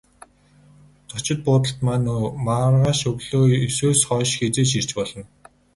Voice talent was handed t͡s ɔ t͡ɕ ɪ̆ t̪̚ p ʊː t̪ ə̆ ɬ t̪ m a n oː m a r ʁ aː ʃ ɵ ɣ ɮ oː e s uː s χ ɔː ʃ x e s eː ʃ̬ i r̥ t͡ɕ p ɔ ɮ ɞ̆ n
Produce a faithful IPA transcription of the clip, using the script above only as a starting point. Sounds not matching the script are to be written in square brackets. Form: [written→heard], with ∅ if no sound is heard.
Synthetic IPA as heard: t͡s ɔ t͡ɕ ɪ̆ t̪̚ p ʊː t̪ ə̆ ɬ t̪ m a n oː m a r ʁ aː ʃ ɵ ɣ ɮ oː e s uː s χ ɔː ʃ x e [s→t͡s] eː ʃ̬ i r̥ t͡ɕ p ɔ ɮ ɞ̆ n